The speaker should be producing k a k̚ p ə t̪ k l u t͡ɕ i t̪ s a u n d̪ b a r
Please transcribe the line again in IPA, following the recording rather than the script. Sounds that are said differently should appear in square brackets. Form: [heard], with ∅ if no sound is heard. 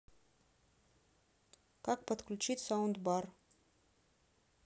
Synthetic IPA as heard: k a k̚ p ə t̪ k l u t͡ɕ i t̪ s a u n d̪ b a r

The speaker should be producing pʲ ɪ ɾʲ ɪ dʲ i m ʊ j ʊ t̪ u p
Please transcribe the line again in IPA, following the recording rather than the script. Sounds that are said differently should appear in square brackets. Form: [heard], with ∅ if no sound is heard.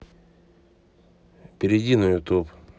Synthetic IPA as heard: pʲ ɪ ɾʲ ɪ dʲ i [n] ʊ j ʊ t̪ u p

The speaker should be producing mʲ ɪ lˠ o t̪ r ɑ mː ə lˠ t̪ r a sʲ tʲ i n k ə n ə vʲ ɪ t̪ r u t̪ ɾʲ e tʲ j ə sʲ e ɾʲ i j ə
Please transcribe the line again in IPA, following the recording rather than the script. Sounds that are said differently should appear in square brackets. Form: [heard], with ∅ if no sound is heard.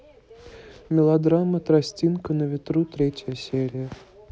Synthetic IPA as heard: mʲ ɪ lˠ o [d̪] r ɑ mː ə [∅] t̪ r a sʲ tʲ i n k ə n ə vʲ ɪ t̪ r u t̪ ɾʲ e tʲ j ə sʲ e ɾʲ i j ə

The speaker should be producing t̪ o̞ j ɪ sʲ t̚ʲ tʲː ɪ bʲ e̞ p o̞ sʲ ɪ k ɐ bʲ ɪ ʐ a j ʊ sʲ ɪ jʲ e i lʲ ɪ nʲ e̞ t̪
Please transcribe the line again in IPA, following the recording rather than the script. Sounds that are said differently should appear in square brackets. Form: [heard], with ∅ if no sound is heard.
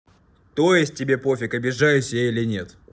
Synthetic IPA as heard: t̪ o̞ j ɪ sʲ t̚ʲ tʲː ɪ bʲ e̞ p o̞ [fʲ] ɪ k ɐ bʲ ɪ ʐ a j ʊ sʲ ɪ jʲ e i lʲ ɪ nʲ e̞ t̪

